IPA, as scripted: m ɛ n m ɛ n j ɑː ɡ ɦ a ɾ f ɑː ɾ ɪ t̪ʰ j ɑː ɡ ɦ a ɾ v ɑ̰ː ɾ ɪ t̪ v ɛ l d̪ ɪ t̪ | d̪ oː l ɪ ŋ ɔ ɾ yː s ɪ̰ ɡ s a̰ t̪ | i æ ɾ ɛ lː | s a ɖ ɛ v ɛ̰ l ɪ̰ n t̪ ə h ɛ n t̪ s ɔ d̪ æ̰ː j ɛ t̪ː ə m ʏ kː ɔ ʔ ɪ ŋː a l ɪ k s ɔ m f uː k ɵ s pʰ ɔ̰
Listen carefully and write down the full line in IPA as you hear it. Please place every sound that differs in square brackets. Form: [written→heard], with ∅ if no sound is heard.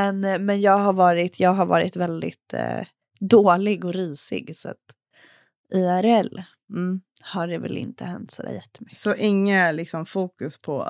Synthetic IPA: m ɛ n m ɛ n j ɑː ɡ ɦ a ɾ [f→v] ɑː ɾ ɪ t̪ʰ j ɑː ɡ ɦ a ɾ v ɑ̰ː ɾ ɪ t̪ v ɛ l d̪ ɪ t̪ | d̪ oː l ɪ [ŋ→ɡ] ɔ ɾ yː s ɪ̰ ɡ s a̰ t̪ | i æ ɾ ɛ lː | [s→h] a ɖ ɛ v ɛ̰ l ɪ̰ n t̪ ə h ɛ n t̪ s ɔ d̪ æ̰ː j ɛ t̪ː ə m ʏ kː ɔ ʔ ɪ ŋː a l ɪ k s ɔ m f uː k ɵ s pʰ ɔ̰